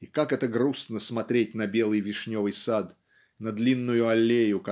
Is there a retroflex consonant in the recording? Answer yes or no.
yes